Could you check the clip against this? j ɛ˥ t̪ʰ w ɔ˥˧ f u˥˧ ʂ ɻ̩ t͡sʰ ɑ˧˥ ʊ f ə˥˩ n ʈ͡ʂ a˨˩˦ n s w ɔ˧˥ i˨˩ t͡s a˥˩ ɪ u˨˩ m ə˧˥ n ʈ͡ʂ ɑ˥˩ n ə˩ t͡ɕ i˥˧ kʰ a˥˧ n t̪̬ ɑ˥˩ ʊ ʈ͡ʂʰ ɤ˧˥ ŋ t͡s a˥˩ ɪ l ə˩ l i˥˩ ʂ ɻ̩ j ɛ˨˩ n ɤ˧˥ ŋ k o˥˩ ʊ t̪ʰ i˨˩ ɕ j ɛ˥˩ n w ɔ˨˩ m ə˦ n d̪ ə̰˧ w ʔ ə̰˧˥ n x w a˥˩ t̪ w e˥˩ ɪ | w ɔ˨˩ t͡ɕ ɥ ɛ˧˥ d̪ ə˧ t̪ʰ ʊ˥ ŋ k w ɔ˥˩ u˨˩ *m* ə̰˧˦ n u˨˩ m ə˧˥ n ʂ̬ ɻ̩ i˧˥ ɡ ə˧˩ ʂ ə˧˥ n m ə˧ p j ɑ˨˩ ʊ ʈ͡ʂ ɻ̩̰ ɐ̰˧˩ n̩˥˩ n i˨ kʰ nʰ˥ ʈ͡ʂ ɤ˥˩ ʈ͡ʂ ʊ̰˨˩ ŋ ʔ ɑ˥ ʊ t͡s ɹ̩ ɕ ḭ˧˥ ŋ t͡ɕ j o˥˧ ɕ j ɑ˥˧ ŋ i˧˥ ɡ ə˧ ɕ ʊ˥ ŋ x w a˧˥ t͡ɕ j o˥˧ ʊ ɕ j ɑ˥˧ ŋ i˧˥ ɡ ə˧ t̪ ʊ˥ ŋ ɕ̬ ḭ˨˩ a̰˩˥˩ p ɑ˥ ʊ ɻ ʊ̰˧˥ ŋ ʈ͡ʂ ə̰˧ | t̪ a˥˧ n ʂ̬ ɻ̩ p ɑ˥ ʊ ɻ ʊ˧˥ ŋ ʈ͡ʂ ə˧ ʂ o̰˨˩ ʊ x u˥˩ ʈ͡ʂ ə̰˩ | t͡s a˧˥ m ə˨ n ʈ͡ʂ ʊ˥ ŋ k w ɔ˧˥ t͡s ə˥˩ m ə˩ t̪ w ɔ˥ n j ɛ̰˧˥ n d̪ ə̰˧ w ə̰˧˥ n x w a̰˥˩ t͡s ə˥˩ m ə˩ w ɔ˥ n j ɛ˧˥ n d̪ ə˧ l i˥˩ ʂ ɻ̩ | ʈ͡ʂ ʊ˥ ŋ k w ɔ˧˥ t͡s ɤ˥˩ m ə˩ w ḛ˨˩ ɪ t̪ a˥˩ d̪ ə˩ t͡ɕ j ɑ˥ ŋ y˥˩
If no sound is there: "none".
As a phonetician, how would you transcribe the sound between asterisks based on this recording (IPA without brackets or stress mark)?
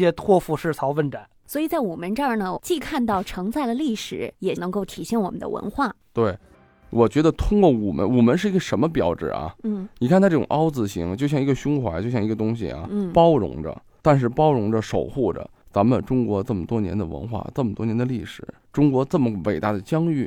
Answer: m